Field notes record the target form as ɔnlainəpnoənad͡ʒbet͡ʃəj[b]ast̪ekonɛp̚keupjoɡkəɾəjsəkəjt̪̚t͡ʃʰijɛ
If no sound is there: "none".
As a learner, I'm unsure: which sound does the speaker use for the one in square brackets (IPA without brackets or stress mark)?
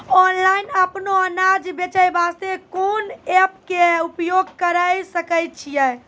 b